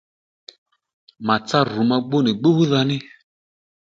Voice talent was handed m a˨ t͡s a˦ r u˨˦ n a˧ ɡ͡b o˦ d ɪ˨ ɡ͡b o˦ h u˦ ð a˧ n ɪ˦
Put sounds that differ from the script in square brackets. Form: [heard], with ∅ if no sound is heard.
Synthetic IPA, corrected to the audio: m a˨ t͡s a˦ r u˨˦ [m] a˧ ɡ͡b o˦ [n] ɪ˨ ɡ͡b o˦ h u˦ ð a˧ n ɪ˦